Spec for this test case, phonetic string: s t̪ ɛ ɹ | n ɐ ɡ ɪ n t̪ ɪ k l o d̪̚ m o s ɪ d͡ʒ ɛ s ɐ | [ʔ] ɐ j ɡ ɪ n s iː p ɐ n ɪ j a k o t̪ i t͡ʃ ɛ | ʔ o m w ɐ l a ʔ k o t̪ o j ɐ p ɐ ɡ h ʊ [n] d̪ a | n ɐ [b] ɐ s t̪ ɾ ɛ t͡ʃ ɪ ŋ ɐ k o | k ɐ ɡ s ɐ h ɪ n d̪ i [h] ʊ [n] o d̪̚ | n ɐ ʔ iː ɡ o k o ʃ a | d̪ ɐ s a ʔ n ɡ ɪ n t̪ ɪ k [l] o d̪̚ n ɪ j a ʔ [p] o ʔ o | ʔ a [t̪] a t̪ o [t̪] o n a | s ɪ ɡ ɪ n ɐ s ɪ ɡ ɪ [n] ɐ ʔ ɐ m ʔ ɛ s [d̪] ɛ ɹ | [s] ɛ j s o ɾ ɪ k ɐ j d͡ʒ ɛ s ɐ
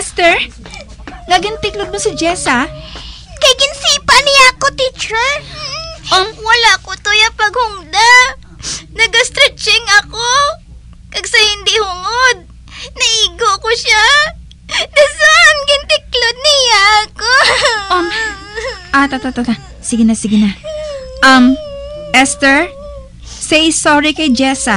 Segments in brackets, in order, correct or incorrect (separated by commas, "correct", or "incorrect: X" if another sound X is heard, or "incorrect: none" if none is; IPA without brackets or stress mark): incorrect: k, incorrect: ŋ, incorrect: ɡ, correct, incorrect: ŋ, correct, incorrect: k, correct, correct, correct, incorrect: t̪, correct